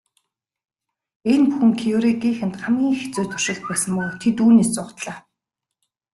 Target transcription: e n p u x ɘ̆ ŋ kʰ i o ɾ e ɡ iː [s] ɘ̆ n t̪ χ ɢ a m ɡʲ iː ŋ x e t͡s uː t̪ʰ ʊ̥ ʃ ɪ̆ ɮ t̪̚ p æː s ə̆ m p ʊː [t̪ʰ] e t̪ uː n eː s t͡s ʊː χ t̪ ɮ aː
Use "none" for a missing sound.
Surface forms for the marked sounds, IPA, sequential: x, t̪ʰ

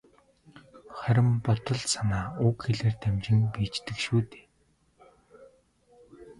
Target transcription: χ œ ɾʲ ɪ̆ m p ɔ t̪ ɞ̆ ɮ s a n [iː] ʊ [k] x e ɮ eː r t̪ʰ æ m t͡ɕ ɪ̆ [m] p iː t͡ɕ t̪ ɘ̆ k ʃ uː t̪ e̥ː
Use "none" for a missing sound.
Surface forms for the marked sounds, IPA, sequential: aː, k, ŋ

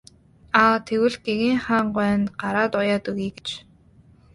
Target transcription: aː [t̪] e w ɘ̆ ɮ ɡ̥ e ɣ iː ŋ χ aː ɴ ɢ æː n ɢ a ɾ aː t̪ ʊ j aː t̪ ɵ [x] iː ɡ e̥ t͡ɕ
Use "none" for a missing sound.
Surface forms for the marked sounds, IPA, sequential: t̪ʰ, ɣ

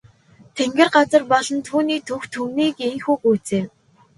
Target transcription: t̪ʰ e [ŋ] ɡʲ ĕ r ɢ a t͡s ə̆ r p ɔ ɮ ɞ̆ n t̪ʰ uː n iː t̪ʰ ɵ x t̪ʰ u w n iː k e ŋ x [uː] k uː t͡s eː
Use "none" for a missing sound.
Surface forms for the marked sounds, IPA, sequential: ŋ, uː

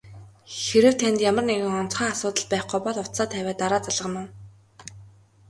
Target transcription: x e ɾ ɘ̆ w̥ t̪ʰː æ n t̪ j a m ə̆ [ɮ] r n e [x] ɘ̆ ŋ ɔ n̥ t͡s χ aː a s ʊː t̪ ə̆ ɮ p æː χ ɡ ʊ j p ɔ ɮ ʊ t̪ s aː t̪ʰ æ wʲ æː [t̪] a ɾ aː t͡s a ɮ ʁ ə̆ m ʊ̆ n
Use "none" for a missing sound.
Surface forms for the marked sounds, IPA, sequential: none, ɣ, t̪

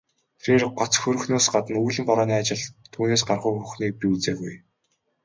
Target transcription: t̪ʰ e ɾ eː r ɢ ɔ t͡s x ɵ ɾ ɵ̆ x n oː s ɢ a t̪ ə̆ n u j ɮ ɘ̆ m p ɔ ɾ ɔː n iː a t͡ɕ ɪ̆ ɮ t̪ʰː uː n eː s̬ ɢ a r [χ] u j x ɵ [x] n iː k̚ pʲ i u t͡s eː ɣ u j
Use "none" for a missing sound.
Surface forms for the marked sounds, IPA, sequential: χ, x

